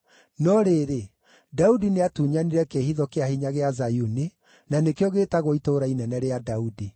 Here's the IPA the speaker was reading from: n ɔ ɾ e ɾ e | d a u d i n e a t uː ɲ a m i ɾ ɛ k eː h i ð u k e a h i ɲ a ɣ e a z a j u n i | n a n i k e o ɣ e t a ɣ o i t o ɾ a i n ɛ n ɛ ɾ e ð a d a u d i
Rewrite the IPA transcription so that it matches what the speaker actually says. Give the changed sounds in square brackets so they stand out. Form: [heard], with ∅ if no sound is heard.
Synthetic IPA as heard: n ɔ ɾ e ɾ e | d a u d i n e a t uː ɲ a [n] i ɾ ɛ k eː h i ð [ɔ] k e a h i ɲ a ɣ e a z a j u n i | n a n [e] k e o ɣ e t a ɣ o i t o ɾ a i n ɛ n ɛ ɾ e [∅] a d a u d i

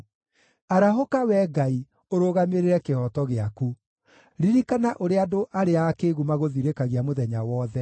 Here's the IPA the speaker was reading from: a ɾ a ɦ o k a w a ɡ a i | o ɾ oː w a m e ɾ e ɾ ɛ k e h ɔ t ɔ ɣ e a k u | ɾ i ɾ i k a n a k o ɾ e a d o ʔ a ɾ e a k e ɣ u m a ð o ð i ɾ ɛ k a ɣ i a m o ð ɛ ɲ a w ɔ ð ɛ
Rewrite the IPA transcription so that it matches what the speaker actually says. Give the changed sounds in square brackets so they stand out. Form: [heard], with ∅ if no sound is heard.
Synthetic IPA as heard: a ɾ a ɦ o k a w [ɛ] ɡ a i | o ɾ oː [ɣ] a m e ɾ e ɾ ɛ k e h ɔ t ɔ ɣ e a k u | ɾ i ɾ i k a n a [ʔ] o ɾ e a d o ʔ a ɾ e a k e ɣ u m a [ɣ] o ð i ɾ [e] k a ɣ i a m o ð ɛ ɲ a w ɔ ð ɛ

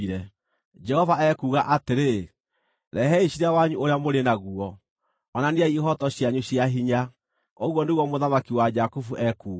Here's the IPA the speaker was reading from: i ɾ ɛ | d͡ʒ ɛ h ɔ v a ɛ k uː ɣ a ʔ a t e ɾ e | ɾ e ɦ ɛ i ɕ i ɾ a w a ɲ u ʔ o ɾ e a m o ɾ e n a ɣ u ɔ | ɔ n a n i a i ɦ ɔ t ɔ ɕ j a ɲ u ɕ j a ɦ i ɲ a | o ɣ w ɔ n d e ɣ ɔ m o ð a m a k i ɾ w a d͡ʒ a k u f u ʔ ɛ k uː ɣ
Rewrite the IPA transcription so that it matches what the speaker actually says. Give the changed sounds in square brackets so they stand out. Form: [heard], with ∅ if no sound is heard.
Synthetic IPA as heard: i ɾ ɛ | d͡ʒ ɛ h ɔ v a ɛ k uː ɣ a ʔ a t e ɾ e | ɾ [ɛ] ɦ ɛ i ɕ i ɾ a w a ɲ u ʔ o ɾ e a m o ɾ e n a ɣ u ɔ | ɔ n a n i a i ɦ ɔ t ɔ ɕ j a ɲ u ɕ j a ɦ i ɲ a | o ɣ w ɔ n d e ɣ ɔ m o ð a m a k i [∅] w a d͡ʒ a k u f u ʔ ɛ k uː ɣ

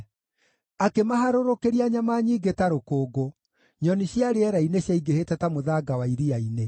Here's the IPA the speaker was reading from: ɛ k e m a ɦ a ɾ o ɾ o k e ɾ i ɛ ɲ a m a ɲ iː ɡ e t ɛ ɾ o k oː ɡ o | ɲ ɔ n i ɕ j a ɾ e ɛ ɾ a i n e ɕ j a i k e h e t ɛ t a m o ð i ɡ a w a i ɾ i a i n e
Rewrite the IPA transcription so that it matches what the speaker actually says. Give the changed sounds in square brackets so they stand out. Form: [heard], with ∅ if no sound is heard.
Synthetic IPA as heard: [a] k e m a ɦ a ɾ o ɾ o k e ɾ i [a] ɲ a m a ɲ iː ɡ e t [a] ɾ o k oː ɡ o | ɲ ɔ n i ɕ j a ɾ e ɛ ɾ a i n e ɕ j a i [ɡ] e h e t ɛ t a m o ð [a] ɡ a w a i ɾ i a i n e

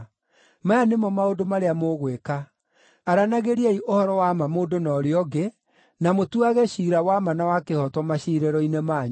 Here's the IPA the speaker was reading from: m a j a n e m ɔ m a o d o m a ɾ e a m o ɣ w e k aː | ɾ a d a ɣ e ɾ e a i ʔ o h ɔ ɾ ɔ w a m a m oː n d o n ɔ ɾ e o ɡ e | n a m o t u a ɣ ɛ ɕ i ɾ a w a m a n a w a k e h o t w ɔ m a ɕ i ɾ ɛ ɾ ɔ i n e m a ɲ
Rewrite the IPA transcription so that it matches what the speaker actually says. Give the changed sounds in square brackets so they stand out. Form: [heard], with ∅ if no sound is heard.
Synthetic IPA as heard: m a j a n e m ɔ m a o d o m a ɾ e a m o ɣ w e k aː | ɾ a [n] a ɣ e ɾ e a i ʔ o h ɔ ɾ ɔ w a m a m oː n d o n ɔ ɾ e [ɔ] ɡ e | n a m o t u a ɣ ɛ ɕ i ɾ a w a m a n a w a k e h [ɔ] t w ɔ m a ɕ i ɾ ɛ ɾ ɔ i n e m a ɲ

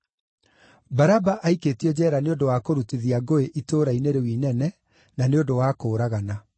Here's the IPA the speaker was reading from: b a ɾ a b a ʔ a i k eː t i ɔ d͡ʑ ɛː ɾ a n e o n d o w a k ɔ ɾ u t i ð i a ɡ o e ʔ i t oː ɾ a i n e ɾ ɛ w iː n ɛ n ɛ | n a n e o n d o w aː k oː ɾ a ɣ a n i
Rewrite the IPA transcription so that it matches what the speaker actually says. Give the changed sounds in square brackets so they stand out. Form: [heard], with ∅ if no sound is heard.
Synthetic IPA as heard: b a ɾ a b a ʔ a i k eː t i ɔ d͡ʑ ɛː ɾ a n e o n d o w a k [o] ɾ u t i ð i a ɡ o e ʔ i t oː ɾ a i n e ɾ [e] w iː n ɛ n ɛ | n a n e o n d o w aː k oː ɾ a ɣ a n [a]

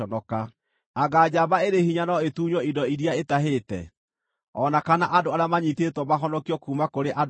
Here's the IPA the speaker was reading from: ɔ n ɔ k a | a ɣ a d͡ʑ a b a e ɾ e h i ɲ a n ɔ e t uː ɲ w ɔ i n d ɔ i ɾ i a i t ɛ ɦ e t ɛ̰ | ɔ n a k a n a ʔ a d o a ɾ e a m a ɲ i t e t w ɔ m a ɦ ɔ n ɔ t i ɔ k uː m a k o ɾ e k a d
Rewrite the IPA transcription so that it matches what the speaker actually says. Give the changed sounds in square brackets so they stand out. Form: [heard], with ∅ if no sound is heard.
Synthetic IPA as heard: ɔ n ɔ k a | a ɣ a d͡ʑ a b a e ɾ e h i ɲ a n ɔ e t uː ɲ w ɔ i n d ɔ i ɾ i a [e] t [a] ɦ e t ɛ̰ | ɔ n a k a n a ʔ a d o a ɾ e a m a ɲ i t e t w ɔ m a ɦ ɔ n ɔ [k] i ɔ k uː m a k o ɾ e [ʔ] a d

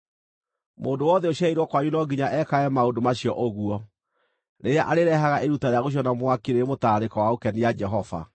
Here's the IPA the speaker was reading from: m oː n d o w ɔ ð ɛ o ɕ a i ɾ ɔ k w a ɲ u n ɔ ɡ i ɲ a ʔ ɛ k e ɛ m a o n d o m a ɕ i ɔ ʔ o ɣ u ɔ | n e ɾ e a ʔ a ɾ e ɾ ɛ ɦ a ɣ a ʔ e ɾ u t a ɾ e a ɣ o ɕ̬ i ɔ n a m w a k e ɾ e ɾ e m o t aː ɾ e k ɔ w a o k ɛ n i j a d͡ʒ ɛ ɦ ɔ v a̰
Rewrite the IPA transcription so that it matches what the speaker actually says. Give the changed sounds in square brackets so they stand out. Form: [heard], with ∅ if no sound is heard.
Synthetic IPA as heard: m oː n d o w ɔ ð ɛ o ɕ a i ɾ ɔ k w a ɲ u n ɔ ɡ i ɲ a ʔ ɛ k [a] ɛ m a o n d o m a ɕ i ɔ ʔ o ɣ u ɔ | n e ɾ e a ʔ a ɾ e ɾ ɛ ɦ a ɣ a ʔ e ɾ u t a ɾ e a ɣ o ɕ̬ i ɔ n a m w a k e ɾ e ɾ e m o t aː ɾ e k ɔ w a o k ɛ n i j a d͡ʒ ɛ ɦ ɔ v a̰

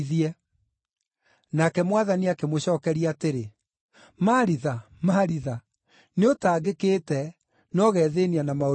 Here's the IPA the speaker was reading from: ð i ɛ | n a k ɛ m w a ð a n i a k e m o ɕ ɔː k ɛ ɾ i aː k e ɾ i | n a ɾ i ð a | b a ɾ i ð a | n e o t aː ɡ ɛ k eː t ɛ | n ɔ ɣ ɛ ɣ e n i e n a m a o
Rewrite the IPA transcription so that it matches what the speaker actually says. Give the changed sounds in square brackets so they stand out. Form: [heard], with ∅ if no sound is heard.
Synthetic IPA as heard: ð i ɛ | n a k ɛ m w a ð a n i a k e m o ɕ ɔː k ɛ ɾ i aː [t] e ɾ [e] | [m] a ɾ i ð a | [m] a ɾ i ð a | n e o t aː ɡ [e] k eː t ɛ | n ɔ ɣ ɛ [ð] e n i [a] n a m a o

